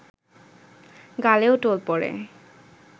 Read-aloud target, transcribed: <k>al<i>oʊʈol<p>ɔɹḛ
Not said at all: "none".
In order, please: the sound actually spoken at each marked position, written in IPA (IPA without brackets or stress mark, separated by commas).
ɡ, e, p